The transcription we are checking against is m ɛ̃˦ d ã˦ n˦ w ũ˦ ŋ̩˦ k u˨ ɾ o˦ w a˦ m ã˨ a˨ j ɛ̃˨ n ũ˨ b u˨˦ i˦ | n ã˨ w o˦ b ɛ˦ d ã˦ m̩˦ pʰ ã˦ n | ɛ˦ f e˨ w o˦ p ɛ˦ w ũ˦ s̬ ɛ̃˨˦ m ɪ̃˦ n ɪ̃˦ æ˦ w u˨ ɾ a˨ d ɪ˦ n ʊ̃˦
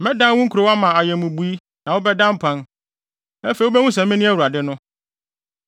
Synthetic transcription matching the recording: m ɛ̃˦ d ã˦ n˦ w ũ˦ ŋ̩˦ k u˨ ɾ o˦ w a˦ m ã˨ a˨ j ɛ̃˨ m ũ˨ b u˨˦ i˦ | n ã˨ w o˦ b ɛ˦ d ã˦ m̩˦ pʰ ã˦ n | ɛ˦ f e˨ w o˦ b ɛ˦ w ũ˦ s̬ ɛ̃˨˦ m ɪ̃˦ n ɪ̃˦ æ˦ w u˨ ɾ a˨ d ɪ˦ n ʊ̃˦